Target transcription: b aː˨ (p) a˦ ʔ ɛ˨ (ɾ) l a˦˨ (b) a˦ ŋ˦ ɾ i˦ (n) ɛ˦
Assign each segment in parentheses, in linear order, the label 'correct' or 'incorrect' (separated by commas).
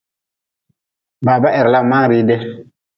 incorrect, correct, incorrect, incorrect